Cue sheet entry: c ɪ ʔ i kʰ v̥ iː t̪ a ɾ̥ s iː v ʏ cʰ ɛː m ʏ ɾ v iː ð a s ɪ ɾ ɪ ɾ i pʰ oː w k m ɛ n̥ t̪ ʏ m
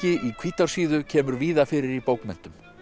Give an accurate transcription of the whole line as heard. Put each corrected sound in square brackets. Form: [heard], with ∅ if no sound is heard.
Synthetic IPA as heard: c ɪ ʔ i kʰ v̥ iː t̪ a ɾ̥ s iː [ð] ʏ cʰ ɛː m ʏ ɾ v iː ð a [f] ɪ ɾ ɪ ɾ i [p] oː w k m ɛ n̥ t̪ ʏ m

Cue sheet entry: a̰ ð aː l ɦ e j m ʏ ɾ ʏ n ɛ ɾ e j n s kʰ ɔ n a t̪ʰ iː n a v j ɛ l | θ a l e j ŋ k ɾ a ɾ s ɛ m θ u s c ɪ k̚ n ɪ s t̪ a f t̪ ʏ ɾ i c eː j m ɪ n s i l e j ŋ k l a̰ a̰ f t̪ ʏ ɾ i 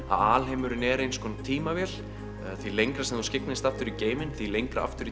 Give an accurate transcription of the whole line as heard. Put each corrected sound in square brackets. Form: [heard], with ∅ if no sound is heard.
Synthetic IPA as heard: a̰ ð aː l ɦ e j m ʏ ɾ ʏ n ɛ ɾ e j n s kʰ ɔ n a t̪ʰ iː [m] a v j ɛ l | θ [i] l e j ŋ k ɾ a [∅] s ɛ m θ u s c ɪ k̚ n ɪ s t̪ a f t̪ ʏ ɾ i c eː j m ɪ n [θ] i l e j ŋ k [ɾ] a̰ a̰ f t̪ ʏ ɾ i

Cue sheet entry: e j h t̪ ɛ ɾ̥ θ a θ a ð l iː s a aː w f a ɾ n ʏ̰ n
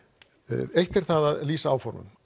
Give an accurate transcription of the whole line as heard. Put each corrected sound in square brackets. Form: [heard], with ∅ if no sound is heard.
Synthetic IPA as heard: e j h t̪ ɛ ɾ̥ θ a [ð] a ð l iː s a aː w f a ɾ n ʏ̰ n

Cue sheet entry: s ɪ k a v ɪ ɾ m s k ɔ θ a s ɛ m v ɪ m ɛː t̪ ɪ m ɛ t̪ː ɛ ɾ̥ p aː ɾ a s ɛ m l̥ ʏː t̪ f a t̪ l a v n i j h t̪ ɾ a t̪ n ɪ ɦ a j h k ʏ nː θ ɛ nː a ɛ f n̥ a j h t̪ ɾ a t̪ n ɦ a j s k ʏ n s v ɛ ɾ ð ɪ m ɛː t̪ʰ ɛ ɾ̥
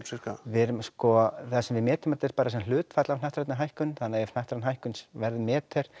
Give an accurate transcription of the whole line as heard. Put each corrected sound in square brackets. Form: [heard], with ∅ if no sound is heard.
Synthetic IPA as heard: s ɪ k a v ɪ ɾ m s k ɔ θ a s ɛ m v ɪ m ɛː t̪ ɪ m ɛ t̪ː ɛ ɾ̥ p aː ɾ a s ɛ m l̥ ʏː t̪ f a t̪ l a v n [a] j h t̪ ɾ a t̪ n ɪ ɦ a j h k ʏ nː θ [a] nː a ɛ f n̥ a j h t̪ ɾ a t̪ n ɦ a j [h] k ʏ n s v ɛ ɾ ð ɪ m ɛː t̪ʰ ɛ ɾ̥

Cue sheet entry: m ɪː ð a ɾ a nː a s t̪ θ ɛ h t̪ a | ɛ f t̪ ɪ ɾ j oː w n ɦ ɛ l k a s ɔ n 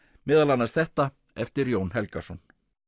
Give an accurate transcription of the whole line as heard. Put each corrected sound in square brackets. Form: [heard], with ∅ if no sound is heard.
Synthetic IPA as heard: m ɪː ð a [l] a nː a s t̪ θ ɛ h t̪ a | ɛ f t̪ ɪ ɾ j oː w n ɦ ɛ l k a s ɔ n

